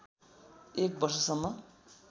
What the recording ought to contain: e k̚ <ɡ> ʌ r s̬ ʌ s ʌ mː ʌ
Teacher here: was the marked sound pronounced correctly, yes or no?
no